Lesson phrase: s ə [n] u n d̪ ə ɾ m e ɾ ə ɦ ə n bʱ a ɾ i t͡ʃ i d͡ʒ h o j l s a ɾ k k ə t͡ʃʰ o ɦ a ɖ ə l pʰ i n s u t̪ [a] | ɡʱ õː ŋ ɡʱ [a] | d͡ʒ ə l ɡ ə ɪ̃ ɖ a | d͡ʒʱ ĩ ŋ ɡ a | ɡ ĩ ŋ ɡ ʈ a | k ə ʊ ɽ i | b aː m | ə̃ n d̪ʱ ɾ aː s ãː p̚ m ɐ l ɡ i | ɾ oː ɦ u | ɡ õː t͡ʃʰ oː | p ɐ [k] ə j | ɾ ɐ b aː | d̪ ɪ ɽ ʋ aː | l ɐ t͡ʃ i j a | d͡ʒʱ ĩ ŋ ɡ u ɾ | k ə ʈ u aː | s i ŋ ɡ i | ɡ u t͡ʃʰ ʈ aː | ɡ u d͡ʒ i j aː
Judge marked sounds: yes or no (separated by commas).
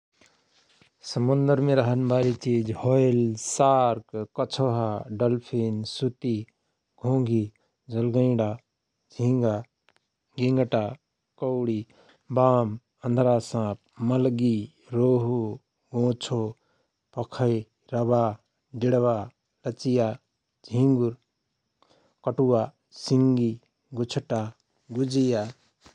no, no, no, no